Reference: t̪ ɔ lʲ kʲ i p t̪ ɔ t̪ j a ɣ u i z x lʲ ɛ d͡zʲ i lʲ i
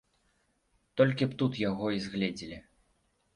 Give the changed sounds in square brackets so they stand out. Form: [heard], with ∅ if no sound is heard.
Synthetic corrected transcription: t̪ ɔ lʲ kʲ i p t̪ [u] t̪ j a ɣ [ɔ] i z [ɣ] lʲ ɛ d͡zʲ i lʲ i